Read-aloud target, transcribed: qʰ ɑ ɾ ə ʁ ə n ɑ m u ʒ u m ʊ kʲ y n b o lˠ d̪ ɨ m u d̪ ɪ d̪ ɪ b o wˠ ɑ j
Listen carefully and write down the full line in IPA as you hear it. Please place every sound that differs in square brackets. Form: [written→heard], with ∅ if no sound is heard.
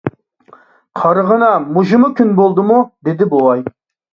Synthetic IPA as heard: qʰ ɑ ɾ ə ʁ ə n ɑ m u ʒ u m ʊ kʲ y n b o lˠ d̪ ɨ m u d̪ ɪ d̪ ɪ b o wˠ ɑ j

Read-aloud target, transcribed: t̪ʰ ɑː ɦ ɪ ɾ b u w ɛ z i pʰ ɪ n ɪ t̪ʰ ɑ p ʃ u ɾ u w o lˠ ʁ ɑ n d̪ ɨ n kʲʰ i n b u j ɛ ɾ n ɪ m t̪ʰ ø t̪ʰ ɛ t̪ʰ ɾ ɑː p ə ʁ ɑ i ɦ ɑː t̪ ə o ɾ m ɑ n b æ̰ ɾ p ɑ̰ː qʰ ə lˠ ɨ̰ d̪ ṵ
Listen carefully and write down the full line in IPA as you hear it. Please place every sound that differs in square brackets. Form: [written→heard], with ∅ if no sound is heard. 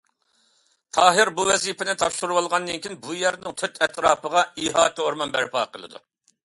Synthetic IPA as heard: t̪ʰ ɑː ɦ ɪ ɾ b u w ɛ z i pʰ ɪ n ɪ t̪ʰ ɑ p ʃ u ɾ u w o lˠ ʁ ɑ n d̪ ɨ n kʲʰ i n b u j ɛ ɾ n ɪ [m→ŋ] t̪ʰ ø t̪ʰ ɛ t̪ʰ ɾ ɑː p ə ʁ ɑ i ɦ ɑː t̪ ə o ɾ m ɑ n b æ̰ ɾ p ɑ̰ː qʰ ə lˠ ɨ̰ d̪ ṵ

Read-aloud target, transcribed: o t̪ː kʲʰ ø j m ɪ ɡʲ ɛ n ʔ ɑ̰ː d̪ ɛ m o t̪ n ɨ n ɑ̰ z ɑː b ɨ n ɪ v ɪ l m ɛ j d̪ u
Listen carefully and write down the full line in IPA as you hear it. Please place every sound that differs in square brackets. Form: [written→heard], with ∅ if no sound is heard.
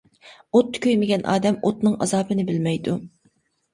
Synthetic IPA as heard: o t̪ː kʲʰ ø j m ɪ ɡʲ ɛ n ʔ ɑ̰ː d̪ ɛ m o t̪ n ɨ [n→ŋ] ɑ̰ z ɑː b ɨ n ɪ [v→b] ɪ l m ɛ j d̪ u

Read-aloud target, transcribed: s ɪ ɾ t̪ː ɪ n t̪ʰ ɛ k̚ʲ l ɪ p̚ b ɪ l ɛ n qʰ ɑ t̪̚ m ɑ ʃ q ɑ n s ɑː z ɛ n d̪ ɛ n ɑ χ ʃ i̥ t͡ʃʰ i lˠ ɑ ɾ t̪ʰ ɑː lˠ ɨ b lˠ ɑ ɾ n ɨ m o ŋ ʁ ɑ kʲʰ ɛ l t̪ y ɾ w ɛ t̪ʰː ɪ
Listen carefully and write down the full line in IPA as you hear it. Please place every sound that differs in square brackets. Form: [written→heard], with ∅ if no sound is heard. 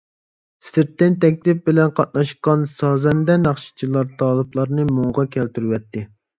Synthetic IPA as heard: s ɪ ɾ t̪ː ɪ n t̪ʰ ɛ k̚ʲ l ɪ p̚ b ɪ l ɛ n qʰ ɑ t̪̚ [m→n] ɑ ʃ q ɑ n s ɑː z ɛ n d̪ ɛ n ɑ χ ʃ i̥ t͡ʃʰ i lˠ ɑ ɾ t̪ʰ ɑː lˠ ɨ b lˠ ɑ ɾ n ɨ m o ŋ ʁ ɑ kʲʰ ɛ l t̪ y ɾ w ɛ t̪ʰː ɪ

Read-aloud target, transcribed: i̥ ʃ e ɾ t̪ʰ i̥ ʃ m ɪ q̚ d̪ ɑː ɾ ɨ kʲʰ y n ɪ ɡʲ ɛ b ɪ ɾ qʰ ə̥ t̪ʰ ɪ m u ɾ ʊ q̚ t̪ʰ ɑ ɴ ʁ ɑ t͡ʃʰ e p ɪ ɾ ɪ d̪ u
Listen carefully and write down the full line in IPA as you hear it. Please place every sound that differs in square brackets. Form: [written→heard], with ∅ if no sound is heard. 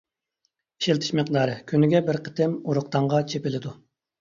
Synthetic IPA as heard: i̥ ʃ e [ɾ→l] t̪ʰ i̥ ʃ m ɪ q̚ d̪ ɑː ɾ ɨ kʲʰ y n ɪ ɡʲ ɛ b ɪ ɾ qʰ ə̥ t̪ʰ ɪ m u ɾ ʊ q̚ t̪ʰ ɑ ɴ ʁ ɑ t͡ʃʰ e p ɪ [ɾ→l] ɪ d̪ u

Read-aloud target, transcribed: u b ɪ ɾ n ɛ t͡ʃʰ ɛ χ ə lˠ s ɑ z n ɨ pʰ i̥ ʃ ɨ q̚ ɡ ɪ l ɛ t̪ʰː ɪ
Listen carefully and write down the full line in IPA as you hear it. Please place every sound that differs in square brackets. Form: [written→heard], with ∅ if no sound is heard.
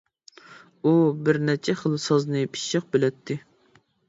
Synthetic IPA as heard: u b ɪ ɾ n ɛ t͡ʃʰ ɛ χ ə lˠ s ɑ z n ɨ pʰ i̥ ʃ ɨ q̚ [ɡ→b] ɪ l ɛ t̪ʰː ɪ

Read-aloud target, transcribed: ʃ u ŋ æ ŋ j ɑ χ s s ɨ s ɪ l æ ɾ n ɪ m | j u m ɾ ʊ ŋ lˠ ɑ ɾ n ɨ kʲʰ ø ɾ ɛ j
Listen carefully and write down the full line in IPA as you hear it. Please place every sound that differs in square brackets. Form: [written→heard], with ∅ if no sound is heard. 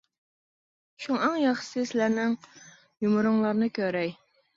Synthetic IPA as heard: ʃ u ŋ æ ŋ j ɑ χ [s→ʃ] s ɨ s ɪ l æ ɾ n ɪ [m→ŋ] | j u m ɾ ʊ ŋ lˠ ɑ ɾ n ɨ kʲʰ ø ɾ ɛ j

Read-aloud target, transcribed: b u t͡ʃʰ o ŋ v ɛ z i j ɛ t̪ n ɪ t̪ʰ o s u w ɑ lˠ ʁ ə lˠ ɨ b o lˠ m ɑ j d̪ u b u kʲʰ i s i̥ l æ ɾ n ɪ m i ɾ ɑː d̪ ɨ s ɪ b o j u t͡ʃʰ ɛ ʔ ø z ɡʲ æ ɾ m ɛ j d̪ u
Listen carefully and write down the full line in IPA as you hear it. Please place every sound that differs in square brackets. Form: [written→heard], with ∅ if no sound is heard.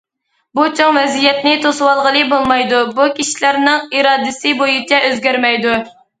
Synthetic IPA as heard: b u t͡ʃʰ o ŋ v ɛ z i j ɛ t̪ n ɪ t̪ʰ o s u w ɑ lˠ ʁ ə lˠ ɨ b o lˠ m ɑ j d̪ u b u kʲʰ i [s→ʃ] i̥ l æ ɾ n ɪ [m→ŋ] i ɾ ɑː d̪ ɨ s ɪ b o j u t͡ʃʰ ɛ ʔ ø z ɡʲ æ ɾ m ɛ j d̪ u

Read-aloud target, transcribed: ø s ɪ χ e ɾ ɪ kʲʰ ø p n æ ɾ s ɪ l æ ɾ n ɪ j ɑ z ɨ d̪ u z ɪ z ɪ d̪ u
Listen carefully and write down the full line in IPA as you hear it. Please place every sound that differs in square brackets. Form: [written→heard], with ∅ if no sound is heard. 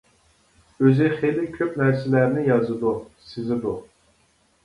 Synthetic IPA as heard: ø [s→z] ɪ χ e [ɾ→l] ɪ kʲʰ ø p n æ ɾ s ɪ l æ ɾ n ɪ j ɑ z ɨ d̪ u [z→s] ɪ z ɪ d̪ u

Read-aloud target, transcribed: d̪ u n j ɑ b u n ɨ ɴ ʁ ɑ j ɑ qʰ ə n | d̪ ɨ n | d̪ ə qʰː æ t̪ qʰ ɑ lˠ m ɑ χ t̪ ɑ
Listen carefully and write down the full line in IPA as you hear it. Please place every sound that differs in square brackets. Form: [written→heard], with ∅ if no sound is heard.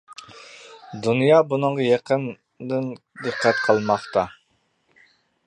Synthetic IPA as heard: d̪ u n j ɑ b u n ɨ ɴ ʁ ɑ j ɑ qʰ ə n | d̪ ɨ n | d̪ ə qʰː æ t̪ qʰ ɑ lˠ m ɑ χ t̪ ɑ

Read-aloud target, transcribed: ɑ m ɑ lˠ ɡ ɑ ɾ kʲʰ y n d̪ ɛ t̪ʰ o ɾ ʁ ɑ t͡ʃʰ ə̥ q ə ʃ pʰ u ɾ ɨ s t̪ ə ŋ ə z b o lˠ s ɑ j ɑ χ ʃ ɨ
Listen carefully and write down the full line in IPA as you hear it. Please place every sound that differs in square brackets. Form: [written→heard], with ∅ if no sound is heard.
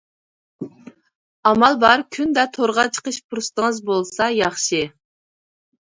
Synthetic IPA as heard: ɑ m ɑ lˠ [ɡ→b] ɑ ɾ kʲʰ y n d̪ ɛ t̪ʰ o ɾ ʁ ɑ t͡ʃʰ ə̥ q ə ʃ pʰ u ɾ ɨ s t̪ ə ŋ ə z b o lˠ s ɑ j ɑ χ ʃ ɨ

